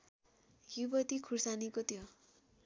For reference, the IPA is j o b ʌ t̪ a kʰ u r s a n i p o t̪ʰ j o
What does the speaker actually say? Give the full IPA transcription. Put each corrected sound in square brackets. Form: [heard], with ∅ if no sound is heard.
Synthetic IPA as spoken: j [u] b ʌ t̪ [i] kʰ u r s a n i [k] o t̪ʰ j o